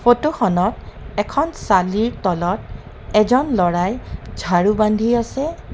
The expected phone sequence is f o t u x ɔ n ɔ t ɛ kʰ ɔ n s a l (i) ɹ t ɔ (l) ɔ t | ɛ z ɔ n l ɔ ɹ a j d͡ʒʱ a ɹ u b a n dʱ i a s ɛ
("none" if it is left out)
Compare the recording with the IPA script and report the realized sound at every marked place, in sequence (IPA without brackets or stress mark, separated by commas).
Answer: i, l